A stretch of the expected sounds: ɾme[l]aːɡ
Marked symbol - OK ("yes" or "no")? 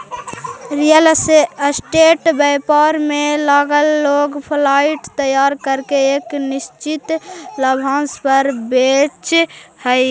yes